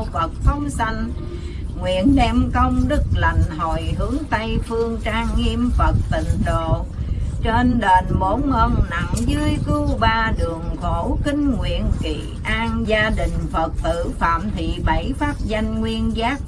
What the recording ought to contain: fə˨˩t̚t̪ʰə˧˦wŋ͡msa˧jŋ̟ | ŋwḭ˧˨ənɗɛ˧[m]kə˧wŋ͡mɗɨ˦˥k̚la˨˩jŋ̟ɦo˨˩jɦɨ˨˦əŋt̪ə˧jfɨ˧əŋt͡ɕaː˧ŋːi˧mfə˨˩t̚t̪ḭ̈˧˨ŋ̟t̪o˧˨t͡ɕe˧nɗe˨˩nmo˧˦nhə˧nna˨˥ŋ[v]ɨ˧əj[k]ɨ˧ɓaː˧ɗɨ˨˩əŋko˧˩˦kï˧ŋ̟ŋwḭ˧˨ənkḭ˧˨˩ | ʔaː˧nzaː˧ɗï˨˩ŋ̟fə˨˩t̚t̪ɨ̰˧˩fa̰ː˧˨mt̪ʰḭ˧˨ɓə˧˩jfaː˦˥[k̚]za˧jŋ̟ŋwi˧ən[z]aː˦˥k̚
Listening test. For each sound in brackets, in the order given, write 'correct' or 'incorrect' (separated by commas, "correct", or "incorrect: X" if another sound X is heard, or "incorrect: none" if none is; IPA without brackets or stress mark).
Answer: correct, incorrect: z, correct, incorrect: p̚, correct